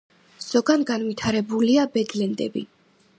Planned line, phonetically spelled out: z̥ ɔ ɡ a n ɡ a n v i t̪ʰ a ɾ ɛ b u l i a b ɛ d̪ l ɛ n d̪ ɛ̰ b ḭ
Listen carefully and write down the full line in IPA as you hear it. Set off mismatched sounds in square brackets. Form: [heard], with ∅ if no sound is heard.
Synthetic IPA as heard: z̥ ɔ ɡ a n ɡ a n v i t̪ʰ a ɾ ɛ b u l i a b ɛ d̪ l ɛ n d̪ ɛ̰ b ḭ